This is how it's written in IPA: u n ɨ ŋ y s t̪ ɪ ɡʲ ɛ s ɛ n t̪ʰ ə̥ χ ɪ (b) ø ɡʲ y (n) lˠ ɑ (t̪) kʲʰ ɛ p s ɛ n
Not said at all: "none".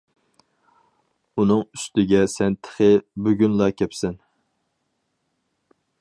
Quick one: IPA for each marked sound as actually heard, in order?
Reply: b, n, none

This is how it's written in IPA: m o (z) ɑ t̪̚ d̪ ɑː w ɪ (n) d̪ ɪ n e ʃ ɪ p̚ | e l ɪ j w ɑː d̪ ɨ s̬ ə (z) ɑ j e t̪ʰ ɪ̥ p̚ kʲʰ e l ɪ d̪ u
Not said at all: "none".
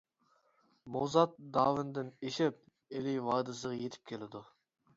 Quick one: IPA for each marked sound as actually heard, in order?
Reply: z, n, ʁ

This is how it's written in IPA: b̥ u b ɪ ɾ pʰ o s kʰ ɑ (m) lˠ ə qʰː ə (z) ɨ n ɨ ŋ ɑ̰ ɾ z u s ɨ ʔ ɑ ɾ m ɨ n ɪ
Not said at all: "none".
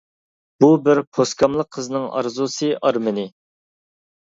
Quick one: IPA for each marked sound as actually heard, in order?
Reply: m, z

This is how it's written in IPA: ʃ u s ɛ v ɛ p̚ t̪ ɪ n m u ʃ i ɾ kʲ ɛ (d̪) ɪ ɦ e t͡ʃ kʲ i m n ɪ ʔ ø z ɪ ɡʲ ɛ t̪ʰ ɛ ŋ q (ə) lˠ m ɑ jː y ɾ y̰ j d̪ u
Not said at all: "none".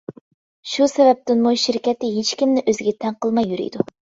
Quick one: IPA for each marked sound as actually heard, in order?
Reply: t̪, ə

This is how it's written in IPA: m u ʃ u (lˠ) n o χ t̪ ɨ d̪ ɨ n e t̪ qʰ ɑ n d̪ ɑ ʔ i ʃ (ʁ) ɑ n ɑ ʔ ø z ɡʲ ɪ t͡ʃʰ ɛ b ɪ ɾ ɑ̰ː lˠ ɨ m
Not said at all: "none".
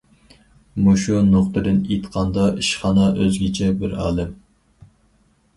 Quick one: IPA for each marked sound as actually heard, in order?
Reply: none, χ

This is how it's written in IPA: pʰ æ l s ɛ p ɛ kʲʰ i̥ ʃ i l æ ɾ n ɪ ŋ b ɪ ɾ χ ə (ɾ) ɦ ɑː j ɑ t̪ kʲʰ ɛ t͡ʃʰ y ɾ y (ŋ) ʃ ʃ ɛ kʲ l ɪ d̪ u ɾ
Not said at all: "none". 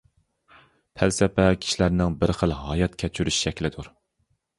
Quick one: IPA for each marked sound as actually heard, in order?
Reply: l, none

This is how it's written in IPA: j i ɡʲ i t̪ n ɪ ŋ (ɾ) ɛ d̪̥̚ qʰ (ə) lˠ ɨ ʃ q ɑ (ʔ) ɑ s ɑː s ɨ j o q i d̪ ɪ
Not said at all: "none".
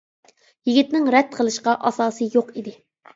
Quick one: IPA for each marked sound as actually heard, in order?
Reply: ɾ, ə, ʔ

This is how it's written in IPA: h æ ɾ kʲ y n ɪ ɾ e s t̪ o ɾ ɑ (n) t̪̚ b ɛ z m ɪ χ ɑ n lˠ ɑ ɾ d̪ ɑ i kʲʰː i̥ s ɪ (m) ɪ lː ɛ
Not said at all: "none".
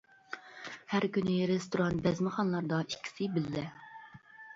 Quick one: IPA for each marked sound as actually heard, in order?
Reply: n, b

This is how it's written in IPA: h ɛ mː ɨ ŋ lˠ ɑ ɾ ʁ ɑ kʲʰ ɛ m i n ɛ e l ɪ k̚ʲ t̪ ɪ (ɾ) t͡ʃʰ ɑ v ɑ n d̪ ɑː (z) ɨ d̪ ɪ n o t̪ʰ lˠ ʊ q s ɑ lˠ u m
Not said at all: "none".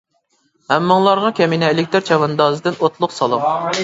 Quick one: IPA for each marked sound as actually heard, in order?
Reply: ɾ, z

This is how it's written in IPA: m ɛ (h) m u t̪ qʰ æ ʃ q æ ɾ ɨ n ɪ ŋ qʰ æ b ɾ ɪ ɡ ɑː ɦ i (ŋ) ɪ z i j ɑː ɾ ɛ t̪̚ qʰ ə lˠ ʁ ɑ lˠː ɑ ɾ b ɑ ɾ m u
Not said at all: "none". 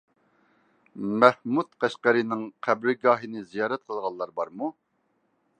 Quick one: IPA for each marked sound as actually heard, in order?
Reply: h, n

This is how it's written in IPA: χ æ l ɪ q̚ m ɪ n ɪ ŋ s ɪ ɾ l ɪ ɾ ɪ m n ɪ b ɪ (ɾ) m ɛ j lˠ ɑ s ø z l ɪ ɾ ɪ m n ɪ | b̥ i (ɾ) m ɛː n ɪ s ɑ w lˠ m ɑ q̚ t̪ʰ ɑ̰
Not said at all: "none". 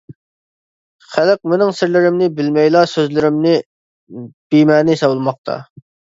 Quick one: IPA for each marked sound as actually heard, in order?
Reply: l, none

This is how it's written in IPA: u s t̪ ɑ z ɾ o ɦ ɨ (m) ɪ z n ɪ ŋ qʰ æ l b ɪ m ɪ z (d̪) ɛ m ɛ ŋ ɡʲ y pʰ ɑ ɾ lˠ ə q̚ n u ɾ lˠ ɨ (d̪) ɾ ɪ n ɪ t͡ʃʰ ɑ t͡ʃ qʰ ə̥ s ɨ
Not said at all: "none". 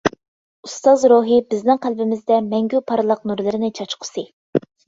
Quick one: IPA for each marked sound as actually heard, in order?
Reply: b, d̪, none

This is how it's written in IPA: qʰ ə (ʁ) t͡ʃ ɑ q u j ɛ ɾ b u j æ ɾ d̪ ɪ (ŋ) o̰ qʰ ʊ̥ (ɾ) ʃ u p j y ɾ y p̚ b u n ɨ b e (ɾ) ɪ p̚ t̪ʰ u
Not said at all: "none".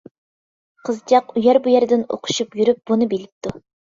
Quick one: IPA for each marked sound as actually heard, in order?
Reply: z, n, none, l

